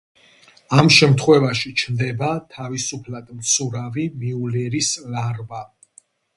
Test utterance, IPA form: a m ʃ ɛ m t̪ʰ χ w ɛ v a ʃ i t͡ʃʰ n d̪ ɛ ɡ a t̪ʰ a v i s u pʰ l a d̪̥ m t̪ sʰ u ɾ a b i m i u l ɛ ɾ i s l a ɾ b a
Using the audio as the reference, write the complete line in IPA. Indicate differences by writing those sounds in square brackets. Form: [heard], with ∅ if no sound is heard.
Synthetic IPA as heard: a m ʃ ɛ m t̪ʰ χ w ɛ v a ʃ i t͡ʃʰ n d̪ ɛ [b] a t̪ʰ a v i s u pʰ l a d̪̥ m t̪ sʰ u ɾ a [v] i m i u l ɛ ɾ i s l a ɾ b a

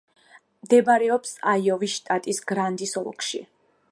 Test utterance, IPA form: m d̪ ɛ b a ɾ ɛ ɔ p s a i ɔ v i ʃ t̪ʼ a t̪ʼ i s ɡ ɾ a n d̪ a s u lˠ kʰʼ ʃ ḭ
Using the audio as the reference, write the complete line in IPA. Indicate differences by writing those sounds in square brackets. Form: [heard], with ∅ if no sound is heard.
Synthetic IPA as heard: m d̪ ɛ b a ɾ ɛ ɔ p s a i ɔ v i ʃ t̪ʼ a t̪ʼ i s ɡ ɾ a n d̪ [i] s [ɔ] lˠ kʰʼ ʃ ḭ

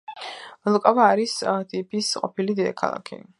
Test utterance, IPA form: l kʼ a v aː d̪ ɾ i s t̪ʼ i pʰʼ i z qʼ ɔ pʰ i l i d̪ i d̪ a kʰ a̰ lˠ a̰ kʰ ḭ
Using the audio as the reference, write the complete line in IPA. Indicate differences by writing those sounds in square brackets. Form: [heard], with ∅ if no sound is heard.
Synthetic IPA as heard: l kʼ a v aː [∅] ɾ i s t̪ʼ i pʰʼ i [s] qʼ ɔ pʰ i l i d̪ i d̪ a kʰ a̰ lˠ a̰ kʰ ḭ

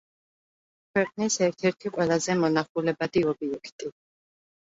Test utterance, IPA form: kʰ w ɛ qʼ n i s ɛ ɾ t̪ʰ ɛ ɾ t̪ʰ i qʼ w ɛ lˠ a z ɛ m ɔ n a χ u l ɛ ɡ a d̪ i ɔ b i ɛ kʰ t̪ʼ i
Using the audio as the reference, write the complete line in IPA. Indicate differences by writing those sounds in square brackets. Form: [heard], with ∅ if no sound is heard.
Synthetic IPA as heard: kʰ w ɛ qʼ n i s ɛ ɾ t̪ʰ ɛ ɾ t̪ʰ i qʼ w ɛ lˠ a z ɛ m ɔ n a χ u l ɛ [b] a d̪ i ɔ b i ɛ kʰ t̪ʼ i

